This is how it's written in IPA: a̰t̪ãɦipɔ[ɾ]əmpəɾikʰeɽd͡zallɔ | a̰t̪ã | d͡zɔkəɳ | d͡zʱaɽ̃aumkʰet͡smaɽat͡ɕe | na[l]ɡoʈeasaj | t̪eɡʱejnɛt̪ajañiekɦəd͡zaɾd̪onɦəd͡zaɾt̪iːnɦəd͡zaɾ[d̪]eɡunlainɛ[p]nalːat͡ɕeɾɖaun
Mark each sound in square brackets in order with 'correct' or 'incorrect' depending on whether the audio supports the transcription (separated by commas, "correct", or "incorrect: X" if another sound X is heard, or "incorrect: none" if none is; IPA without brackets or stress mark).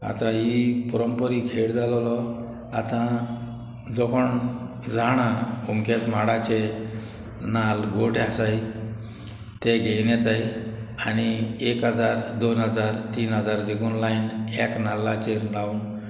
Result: correct, correct, correct, incorrect: k